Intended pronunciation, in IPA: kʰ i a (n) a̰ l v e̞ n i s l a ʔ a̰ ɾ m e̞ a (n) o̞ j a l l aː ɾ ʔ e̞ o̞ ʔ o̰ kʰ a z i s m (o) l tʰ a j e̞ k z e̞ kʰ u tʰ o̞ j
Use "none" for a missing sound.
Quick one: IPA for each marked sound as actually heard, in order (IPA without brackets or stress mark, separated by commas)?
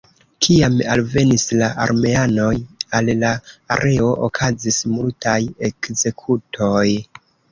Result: m, n, u